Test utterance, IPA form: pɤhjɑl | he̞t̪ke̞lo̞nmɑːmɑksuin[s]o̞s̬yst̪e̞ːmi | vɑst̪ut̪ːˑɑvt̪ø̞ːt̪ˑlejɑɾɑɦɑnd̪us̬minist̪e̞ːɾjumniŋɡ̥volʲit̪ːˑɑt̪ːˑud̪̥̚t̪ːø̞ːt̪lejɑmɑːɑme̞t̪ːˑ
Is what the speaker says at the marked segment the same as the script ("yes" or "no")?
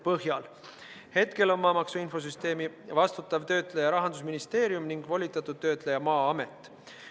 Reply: no